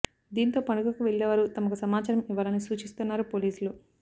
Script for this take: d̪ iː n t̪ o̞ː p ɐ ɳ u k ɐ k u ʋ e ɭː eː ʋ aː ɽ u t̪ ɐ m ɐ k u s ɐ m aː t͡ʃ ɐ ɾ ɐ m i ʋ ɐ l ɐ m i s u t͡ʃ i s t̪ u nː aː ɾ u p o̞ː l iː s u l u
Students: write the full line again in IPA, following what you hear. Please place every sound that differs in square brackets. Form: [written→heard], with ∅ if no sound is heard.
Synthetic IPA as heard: d̪ iː n t̪ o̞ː p ɐ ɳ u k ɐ k u ʋ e ɭː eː ʋ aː [ɽ→ɾ] u t̪ ɐ m ɐ k u s ɐ m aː t͡ʃ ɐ ɾ ɐ m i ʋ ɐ l ɐ [m→n] i s [u→uː] t͡ʃ i s t̪ u nː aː ɾ u p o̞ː l iː s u l u

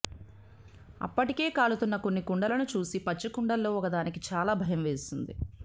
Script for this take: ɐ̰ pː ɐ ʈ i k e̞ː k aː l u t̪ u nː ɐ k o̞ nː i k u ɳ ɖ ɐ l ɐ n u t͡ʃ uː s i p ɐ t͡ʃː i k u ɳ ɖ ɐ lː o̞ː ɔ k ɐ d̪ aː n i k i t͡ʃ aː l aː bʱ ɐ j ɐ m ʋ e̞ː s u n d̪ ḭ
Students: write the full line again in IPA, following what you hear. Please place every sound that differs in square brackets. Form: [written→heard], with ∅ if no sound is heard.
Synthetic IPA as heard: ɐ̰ pː ɐ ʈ i k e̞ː k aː l u t̪ u nː ɐ k o̞ nː i k u ɳ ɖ ɐ l ɐ n u t͡ʃ uː s i p ɐ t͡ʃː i k u ɳ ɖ ɐ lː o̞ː ɔ k ɐ d̪ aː n i k i t͡ʃ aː l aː bʱ ɐ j ɐ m ʋ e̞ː s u n d̪ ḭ

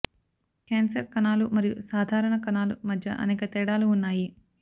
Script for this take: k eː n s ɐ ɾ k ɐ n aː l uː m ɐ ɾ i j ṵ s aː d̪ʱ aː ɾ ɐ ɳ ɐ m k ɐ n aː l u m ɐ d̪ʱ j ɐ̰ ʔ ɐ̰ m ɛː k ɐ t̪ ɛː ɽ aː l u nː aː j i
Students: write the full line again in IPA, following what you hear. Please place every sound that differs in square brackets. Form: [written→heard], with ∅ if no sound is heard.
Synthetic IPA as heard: k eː n s ɐ ɾ k ɐ n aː l [uː→u] m ɐ ɾ i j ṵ s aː d̪ʱ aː ɾ ɐ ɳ ɐ [m→∅] k ɐ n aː l u m ɐ d̪ʱ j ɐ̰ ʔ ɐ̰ [m→n] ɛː k ɐ t̪ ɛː ɽ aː l [u→uː] nː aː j i

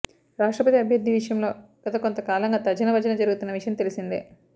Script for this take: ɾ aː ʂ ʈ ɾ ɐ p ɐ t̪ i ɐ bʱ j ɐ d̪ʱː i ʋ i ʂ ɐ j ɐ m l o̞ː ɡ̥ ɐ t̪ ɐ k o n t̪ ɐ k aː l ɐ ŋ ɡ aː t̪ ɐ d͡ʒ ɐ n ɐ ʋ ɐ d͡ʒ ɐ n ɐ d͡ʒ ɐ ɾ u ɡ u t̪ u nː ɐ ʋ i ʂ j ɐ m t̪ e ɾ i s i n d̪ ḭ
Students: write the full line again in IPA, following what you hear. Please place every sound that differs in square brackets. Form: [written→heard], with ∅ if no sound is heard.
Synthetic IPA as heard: ɾ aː ʂ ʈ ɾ ɐ p ɐ t̪ i ɐ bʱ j ɐ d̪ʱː i ʋ i ʂ ɐ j ɐ m l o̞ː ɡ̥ ɐ t̪ ɐ k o n t̪ ɐ k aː l ɐ ŋ ɡ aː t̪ ɐ d͡ʒ ɐ n ɐ ʋ ɐ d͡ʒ ɐ n ɐ d͡ʒ ɐ ɾ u ɡ u t̪ u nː ɐ ʋ i ʂ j ɐ m t̪ e [ɾ→l] i s i n d̪ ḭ

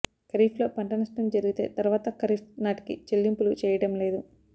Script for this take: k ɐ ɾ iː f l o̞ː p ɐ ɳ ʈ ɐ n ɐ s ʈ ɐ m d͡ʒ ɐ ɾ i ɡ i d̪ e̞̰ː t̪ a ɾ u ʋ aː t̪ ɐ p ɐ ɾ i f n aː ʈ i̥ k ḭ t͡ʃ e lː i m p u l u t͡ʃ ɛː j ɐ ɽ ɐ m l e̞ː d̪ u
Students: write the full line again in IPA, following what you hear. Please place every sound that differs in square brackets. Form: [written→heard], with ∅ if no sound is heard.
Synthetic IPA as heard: k ɐ ɾ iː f l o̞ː p ɐ ɳ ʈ ɐ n ɐ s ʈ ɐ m d͡ʒ ɐ ɾ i ɡ i [d̪→t̪] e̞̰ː t̪ [a→ɐ] ɾ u ʋ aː t̪ ɐ [p→k] ɐ ɾ i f n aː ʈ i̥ k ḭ t͡ʃ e lː i m p u l u t͡ʃ ɛː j ɐ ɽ ɐ m l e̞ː d̪ u

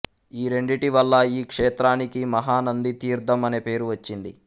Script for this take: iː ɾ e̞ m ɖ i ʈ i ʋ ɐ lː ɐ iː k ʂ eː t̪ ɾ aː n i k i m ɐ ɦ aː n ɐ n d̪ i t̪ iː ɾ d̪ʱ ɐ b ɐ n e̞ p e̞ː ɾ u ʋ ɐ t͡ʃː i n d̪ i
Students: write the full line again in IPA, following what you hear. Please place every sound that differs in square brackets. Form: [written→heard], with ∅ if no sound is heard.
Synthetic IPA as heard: iː ɾ e̞ [m→ɳ] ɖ i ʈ i ʋ ɐ lː ɐ iː k ʂ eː t̪ ɾ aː n i k i m ɐ ɦ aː n ɐ n d̪ i t̪ iː ɾ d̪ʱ ɐ [b→m] ɐ n e̞ p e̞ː ɾ u ʋ ɐ t͡ʃː i n d̪ i

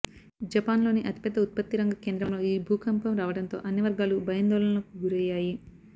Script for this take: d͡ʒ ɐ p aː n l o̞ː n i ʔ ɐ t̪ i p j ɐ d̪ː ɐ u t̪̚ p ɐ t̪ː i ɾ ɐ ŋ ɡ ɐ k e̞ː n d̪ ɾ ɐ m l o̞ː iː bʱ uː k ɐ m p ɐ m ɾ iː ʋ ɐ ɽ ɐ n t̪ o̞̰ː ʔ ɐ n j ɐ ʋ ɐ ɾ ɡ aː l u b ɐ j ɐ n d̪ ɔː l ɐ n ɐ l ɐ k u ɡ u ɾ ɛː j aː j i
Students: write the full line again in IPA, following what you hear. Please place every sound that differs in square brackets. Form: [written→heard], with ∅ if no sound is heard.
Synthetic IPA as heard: d͡ʒ ɐ p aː n l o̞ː n i ʔ ɐ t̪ i p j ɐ d̪ː ɐ u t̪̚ p ɐ t̪ː i ɾ ɐ ŋ ɡ ɐ k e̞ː n d̪ ɾ ɐ m l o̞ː iː bʱ uː k ɐ m p ɐ m ɾ [iː→aː] ʋ ɐ ɽ ɐ n t̪ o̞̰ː ʔ ɐ n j ɐ ʋ ɐ ɾ ɡ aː l u b ɐ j ɐ n d̪ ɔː l ɐ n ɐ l ɐ k u ɡ u ɾ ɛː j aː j i

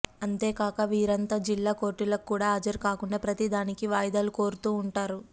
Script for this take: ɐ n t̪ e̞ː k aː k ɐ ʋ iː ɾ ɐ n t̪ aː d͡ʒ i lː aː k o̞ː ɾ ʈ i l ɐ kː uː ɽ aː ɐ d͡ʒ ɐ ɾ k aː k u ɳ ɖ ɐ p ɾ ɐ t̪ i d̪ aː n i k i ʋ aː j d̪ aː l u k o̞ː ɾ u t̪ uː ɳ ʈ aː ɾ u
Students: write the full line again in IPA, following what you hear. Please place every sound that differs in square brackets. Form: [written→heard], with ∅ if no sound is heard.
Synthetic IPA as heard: ɐ n t̪ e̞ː k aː k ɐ ʋ iː ɾ ɐ n t̪ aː d͡ʒ i lː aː k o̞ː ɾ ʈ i l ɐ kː uː ɽ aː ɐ d͡ʒ ɐ ɾ k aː k u ɳ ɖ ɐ p ɾ ɐ t̪ i d̪ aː n i k i ʋ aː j d̪ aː l u k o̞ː ɾ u t̪ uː ɳ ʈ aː ɾ u

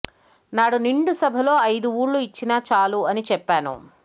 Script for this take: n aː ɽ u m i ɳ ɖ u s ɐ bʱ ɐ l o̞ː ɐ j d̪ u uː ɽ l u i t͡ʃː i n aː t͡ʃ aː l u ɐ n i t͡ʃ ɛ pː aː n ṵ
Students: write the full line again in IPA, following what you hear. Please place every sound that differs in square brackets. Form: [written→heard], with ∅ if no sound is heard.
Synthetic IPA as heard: n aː ɽ u [m→n] i ɳ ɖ u s ɐ bʱ ɐ l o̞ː ɐ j d̪ u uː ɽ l u i t͡ʃː i n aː t͡ʃ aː l u ɐ n i t͡ʃ ɛ pː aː n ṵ

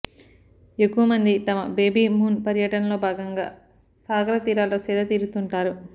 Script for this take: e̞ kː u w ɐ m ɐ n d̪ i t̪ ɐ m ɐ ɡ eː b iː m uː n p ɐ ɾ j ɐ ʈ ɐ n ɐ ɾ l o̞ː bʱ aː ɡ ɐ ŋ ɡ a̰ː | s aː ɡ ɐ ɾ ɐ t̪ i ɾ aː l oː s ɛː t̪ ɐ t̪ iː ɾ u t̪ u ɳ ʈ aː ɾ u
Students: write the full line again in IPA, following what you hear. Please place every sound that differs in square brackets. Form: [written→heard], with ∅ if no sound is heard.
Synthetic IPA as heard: e̞ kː u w ɐ m ɐ n d̪ i t̪ ɐ m ɐ [ɡ→b] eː b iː m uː n p ɐ ɾ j ɐ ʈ ɐ n ɐ [ɾ→∅] l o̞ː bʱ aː ɡ ɐ ŋ ɡ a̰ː | s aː ɡ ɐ ɾ ɐ t̪ [i→iː] ɾ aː l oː s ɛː [t̪→d̪] ɐ t̪ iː ɾ u t̪ u ɳ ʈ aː ɾ u

